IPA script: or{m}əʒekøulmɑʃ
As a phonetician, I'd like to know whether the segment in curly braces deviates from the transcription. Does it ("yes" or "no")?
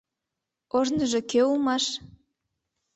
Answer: yes